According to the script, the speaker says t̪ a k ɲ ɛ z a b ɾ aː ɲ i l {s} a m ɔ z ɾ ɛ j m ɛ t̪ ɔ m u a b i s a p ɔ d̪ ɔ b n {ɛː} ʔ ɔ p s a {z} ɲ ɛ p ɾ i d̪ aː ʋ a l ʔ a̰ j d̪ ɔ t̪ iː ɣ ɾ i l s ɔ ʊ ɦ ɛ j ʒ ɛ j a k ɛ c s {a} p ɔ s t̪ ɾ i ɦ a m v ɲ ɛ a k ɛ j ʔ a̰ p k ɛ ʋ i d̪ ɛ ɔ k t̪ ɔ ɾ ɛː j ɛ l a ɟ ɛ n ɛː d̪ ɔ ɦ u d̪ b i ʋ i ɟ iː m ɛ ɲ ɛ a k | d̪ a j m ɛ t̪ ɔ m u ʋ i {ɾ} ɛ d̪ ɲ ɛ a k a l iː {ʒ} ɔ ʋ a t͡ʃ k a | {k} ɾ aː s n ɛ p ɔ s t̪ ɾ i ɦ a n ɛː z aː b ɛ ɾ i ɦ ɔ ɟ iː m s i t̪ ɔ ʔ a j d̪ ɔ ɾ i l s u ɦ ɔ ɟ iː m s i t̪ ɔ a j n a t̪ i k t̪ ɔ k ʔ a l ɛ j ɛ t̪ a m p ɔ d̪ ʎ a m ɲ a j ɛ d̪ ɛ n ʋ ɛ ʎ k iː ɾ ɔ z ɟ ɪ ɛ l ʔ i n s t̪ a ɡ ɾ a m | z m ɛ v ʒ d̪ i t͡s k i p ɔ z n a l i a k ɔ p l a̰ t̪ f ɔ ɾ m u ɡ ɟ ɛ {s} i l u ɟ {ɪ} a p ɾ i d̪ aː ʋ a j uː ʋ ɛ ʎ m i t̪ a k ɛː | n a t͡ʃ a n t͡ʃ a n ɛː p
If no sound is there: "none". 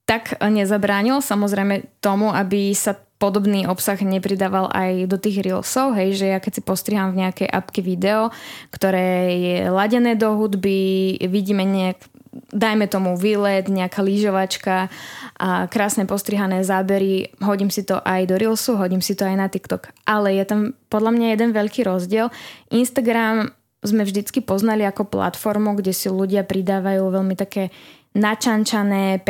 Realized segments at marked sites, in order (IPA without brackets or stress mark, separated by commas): s, iː, ɣ, i, l, ʒ, k, s, ɪ